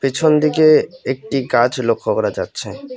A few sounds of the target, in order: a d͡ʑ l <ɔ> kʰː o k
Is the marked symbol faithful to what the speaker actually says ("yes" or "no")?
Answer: no